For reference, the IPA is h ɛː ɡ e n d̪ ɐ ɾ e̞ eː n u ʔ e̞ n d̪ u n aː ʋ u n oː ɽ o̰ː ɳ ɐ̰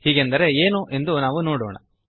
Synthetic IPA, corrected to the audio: h iː ɡ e n d̪ ɐ ɾ e̞ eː n u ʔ e̞ n d̪ u n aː ʋ u n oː ɽ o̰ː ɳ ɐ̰